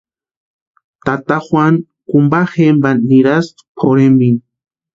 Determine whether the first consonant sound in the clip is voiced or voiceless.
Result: voiceless